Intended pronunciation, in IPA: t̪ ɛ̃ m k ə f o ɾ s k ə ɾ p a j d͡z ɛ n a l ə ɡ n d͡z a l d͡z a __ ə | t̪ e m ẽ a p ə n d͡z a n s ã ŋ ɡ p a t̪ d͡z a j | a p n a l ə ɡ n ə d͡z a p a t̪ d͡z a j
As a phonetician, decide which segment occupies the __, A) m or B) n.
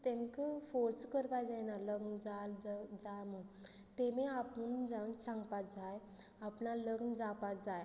A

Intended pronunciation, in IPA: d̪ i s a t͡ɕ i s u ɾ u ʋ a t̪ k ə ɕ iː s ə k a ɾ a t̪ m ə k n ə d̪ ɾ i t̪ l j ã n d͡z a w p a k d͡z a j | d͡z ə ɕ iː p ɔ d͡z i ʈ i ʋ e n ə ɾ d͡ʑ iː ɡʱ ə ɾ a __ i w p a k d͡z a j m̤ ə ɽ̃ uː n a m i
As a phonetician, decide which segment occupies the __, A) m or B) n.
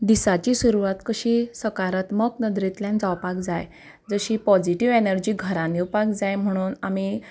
B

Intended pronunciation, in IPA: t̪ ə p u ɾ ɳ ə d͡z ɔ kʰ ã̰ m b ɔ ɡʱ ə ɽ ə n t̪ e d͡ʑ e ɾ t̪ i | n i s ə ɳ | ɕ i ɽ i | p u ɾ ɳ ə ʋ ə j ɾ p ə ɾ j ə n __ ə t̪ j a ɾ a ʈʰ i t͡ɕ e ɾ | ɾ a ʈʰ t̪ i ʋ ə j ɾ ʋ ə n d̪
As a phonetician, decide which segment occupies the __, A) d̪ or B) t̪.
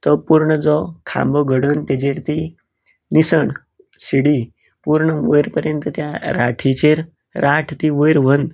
B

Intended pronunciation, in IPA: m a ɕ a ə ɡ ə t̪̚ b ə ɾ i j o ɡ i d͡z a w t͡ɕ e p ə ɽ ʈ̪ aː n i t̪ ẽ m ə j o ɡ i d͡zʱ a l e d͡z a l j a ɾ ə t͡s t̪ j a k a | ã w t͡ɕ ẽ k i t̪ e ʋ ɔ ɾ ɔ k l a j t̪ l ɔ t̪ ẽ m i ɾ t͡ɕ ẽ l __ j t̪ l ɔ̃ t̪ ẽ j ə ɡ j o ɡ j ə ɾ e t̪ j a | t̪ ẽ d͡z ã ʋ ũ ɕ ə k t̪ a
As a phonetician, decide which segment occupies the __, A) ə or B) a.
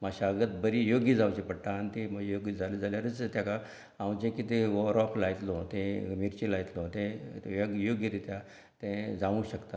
B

